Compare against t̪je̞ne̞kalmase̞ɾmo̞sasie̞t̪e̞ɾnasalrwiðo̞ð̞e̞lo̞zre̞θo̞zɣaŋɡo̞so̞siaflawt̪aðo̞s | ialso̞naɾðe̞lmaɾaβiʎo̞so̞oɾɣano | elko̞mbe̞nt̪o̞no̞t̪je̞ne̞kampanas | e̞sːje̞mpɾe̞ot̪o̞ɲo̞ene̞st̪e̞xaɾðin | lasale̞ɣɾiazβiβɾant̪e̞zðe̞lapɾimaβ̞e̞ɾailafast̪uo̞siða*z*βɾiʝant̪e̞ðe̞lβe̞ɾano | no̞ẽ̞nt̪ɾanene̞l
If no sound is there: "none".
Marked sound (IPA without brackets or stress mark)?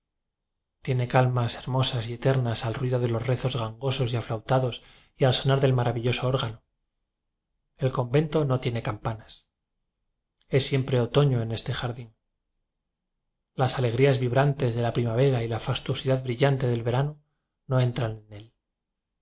ð